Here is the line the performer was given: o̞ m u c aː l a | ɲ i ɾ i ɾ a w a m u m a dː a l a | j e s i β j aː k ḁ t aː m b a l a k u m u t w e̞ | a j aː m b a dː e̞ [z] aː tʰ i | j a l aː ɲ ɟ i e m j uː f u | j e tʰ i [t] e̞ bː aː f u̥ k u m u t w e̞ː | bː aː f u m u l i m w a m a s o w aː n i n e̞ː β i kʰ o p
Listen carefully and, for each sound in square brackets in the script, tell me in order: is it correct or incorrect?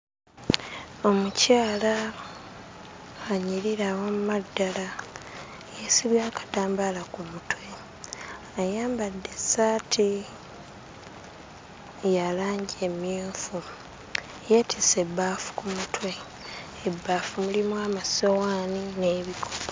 incorrect, incorrect

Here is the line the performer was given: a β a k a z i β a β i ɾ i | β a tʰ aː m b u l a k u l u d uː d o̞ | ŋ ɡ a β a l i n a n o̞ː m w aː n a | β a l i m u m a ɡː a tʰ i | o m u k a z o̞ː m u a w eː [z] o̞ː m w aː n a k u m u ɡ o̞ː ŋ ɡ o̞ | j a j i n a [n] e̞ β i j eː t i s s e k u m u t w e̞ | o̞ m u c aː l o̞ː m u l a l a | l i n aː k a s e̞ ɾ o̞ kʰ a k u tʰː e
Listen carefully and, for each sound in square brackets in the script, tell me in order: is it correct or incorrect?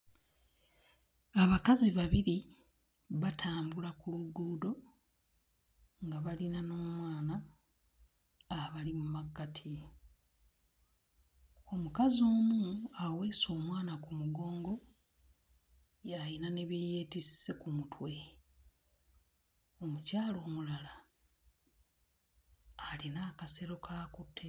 incorrect, correct

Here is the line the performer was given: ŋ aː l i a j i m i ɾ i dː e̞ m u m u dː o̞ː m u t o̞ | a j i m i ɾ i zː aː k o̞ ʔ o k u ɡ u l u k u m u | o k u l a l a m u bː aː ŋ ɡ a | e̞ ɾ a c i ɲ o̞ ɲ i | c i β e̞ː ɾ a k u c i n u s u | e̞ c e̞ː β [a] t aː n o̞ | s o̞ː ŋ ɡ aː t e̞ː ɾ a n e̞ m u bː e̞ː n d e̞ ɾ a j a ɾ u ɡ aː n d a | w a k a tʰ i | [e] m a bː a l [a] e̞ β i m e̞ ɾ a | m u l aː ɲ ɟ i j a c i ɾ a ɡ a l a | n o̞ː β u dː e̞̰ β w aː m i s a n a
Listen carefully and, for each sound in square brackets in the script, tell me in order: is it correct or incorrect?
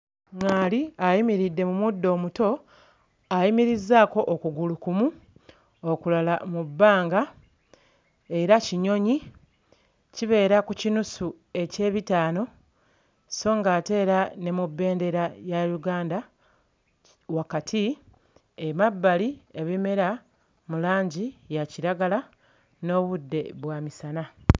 incorrect, correct, incorrect

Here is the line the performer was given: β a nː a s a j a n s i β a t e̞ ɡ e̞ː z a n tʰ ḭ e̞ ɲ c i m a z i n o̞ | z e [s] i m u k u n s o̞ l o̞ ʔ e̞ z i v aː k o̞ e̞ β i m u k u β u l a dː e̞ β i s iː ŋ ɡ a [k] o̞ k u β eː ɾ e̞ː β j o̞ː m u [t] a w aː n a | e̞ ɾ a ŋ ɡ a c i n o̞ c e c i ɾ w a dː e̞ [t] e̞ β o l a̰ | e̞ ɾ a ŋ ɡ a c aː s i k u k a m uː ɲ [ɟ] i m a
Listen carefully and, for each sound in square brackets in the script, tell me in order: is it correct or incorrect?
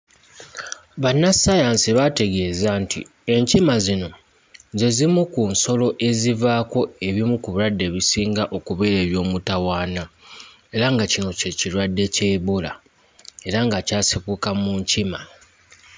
incorrect, incorrect, correct, incorrect, incorrect

